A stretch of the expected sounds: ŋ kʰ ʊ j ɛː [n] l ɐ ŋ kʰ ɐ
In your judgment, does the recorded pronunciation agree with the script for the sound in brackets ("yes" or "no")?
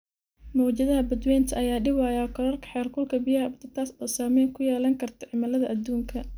no